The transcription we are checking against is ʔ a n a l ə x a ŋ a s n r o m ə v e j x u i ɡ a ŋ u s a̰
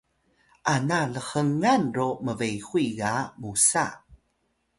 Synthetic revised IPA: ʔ a n a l ə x ə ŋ a n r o m ə v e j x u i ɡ a m u s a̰